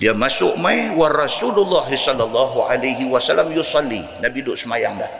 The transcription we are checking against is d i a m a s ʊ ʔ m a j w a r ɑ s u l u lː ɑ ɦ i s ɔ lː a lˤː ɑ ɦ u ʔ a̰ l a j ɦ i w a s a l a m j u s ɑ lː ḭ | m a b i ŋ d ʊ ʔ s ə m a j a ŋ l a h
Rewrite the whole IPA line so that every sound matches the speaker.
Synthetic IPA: d i a m a s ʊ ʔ m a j w a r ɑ s u l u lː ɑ ɦ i s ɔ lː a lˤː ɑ ɦ u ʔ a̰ l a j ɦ i w a s a l a m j u s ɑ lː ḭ | n a b i d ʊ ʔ s ə m a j a ŋ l a h